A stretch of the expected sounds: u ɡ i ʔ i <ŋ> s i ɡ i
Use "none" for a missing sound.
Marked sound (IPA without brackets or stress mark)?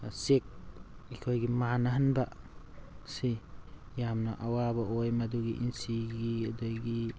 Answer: n